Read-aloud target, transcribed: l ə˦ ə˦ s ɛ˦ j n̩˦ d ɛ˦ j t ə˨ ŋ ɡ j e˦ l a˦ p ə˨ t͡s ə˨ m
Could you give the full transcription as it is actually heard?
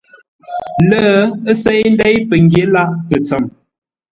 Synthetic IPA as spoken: l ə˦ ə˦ s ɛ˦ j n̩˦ d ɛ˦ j p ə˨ ŋ ɡ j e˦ l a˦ p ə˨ t͡s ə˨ m